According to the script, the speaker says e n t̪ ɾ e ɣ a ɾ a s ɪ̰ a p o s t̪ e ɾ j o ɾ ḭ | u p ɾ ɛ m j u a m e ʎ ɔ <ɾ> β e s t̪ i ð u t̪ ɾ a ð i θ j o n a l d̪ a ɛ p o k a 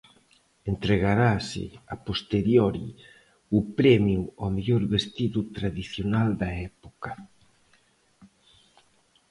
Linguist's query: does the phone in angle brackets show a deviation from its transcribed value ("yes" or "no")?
no